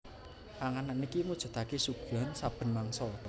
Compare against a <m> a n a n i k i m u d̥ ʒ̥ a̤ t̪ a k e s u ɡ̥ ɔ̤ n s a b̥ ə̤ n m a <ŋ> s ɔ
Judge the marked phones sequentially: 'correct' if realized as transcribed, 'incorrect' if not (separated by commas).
incorrect, correct